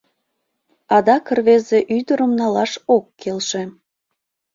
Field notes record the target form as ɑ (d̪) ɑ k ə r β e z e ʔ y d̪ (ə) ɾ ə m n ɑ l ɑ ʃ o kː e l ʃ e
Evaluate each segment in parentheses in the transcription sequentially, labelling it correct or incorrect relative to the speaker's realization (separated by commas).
correct, correct